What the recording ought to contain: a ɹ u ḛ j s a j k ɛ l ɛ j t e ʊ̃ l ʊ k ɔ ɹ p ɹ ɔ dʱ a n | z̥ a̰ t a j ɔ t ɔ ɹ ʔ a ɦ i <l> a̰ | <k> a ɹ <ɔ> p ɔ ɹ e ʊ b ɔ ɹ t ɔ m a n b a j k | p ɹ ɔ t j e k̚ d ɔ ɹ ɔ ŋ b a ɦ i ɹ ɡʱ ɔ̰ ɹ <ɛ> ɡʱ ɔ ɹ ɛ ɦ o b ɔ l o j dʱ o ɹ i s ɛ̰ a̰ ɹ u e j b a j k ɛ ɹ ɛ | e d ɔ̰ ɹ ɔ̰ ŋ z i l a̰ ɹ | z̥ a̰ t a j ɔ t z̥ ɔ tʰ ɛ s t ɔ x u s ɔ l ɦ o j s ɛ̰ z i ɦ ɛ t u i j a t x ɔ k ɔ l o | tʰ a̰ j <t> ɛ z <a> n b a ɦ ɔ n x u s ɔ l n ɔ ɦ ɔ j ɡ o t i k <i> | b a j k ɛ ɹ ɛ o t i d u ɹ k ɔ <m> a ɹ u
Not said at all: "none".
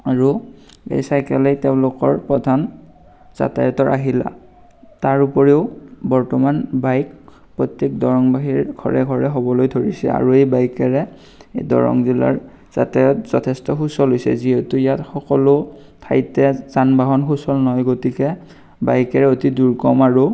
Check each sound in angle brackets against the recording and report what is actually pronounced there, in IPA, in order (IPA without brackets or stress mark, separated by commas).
l, t, u, ɛ, t, a, ɛ, m